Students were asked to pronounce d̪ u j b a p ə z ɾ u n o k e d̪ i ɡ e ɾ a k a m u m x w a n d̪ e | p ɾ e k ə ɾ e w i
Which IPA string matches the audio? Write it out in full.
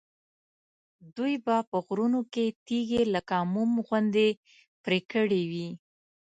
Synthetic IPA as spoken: d̪ u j b a p ə ɣ ɾ u n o k e t̪ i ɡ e l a k a m u m ɣ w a n d̪ e | p ɾ e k ə ɽ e w i